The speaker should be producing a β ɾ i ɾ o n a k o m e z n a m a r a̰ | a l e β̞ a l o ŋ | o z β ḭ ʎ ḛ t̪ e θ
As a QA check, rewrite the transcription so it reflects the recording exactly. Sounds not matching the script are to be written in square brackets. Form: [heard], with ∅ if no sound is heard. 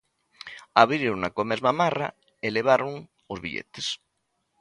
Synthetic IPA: a β ɾ i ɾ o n a k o m e z [m] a m a r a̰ | [e] l e β̞ a [ɾ] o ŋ | o z β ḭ ʎ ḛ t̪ e [s]